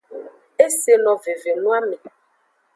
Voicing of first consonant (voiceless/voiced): voiceless